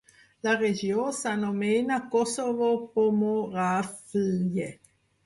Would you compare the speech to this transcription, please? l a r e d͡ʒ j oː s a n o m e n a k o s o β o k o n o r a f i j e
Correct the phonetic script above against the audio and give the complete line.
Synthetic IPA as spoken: l a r e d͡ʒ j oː s a n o m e n a k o s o v o p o m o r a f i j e